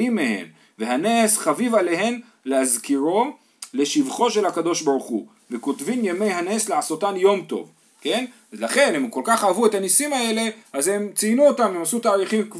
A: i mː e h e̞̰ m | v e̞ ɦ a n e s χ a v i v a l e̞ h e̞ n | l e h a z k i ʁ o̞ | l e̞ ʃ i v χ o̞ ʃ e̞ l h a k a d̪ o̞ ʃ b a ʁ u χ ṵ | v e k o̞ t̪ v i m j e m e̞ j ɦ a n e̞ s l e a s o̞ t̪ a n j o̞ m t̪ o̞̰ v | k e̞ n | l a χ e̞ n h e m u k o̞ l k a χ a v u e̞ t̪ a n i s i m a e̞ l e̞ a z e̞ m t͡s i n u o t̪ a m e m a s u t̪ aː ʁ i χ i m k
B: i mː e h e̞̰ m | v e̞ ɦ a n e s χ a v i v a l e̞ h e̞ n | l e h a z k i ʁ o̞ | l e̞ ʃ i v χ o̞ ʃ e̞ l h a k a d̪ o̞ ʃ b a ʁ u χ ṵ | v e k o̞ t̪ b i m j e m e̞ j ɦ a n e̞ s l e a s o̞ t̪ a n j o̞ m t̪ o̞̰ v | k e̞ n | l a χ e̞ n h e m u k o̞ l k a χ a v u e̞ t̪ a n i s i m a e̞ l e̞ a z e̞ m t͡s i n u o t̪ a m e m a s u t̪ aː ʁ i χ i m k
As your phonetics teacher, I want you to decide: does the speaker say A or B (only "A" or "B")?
A